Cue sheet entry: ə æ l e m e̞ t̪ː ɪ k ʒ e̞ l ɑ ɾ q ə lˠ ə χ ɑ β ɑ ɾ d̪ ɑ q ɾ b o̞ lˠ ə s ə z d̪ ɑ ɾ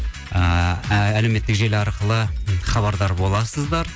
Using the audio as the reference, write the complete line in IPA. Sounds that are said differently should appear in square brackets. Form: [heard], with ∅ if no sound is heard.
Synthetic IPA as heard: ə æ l e m e̞ t̪ː ɪ k ʒ e̞ l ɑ ɾ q ə lˠ ə χ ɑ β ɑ ɾ d̪ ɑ [∅] ɾ b o̞ lˠ [ɑ] s ə z d̪ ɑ ɾ